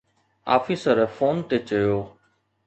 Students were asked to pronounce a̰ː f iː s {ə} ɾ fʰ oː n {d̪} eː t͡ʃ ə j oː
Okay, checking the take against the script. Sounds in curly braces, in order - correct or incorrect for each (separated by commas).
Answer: correct, incorrect